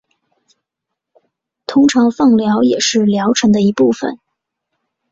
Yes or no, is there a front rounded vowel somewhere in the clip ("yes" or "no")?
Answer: no